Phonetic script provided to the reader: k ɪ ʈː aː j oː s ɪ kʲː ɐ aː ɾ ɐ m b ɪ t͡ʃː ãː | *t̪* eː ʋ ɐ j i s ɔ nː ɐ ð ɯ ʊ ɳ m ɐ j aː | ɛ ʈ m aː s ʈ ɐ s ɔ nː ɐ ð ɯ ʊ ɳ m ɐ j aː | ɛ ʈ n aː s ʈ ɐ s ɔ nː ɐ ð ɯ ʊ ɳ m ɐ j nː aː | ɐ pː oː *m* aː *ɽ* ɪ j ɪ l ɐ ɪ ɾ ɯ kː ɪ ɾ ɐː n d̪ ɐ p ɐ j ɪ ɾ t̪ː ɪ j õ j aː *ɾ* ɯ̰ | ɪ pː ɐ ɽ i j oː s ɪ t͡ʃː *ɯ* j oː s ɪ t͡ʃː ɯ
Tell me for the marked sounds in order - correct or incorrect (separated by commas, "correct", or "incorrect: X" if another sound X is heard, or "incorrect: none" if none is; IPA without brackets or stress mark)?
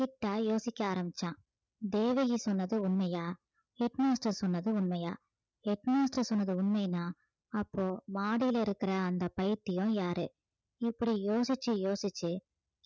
incorrect: d̪, correct, correct, correct, correct